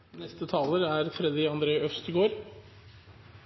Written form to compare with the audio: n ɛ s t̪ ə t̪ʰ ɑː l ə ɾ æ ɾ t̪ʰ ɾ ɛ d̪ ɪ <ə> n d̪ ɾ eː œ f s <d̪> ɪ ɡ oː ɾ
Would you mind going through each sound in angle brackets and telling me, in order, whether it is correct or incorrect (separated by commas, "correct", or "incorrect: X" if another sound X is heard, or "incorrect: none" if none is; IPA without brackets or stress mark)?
incorrect: ɑ, incorrect: t̪